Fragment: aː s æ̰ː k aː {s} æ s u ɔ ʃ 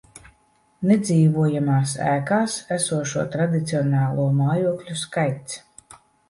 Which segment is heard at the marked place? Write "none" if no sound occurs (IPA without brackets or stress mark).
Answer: s